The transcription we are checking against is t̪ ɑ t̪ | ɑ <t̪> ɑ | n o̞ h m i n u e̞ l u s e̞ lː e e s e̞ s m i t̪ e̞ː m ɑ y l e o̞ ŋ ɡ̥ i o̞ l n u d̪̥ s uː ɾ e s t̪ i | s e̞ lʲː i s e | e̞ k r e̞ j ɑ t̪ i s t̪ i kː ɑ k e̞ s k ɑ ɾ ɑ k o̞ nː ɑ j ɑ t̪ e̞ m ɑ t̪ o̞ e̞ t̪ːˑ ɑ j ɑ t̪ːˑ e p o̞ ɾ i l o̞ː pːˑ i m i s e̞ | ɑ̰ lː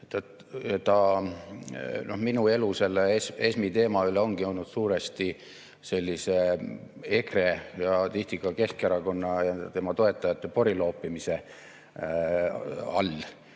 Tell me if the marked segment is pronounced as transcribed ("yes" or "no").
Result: yes